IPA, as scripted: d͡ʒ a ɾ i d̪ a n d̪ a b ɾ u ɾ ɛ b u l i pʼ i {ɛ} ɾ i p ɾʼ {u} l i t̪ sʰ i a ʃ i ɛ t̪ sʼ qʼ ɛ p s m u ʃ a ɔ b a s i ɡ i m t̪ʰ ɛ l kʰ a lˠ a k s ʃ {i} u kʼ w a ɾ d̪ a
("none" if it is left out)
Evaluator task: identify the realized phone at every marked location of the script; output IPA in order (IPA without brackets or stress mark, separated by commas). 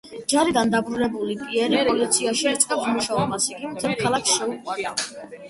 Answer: ɛ, ɔ, ɛ